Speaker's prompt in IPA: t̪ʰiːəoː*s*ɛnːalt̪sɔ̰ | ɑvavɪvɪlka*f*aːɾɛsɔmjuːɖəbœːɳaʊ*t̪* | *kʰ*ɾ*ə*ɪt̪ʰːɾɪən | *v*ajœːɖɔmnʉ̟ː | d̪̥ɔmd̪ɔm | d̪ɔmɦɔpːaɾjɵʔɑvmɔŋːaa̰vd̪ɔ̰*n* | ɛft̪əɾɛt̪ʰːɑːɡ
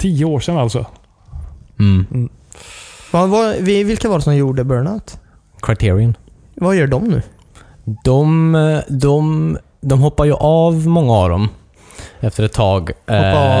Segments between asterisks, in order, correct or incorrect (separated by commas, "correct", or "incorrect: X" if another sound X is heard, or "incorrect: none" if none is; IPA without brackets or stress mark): incorrect: ʂ, incorrect: v, correct, correct, incorrect: a, correct, incorrect: m